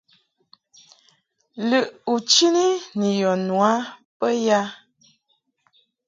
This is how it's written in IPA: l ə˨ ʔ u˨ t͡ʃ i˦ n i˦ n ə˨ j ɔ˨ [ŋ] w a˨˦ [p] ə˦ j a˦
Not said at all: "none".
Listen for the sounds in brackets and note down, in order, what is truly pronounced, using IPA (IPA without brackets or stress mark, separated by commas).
n, p